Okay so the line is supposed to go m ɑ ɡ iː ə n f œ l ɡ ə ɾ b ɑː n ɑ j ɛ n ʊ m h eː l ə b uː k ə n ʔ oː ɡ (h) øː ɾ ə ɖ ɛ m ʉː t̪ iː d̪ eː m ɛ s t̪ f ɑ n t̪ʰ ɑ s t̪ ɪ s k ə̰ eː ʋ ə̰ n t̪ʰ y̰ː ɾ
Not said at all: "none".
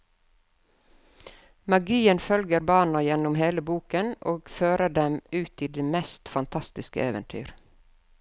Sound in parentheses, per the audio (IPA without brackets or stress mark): f